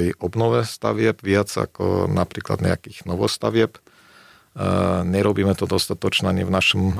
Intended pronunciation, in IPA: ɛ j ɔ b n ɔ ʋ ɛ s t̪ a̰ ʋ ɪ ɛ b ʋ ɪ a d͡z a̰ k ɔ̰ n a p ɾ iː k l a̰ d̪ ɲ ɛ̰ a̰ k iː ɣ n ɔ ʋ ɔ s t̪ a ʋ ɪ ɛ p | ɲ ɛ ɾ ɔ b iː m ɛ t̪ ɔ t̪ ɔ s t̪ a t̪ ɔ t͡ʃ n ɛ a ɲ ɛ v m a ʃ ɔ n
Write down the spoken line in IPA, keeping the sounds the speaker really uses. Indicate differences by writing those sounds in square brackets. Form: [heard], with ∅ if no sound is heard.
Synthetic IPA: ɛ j ɔ b n ɔ ʋ ɛ s t̪ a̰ ʋ ɪ ɛ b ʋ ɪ a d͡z a̰ k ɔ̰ n a p ɾ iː k l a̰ d̪ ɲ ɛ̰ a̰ k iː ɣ n ɔ ʋ ɔ s t̪ a ʋ ɪ ɛ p | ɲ ɛ ɾ ɔ b iː m ɛ t̪ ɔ [d̪] ɔ s t̪ a t̪ ɔ t͡ʃ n ɛ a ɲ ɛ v [n] a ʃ ɔ [m]